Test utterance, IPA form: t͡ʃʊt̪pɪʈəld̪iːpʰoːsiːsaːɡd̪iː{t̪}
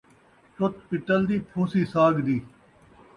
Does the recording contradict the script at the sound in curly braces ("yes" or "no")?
yes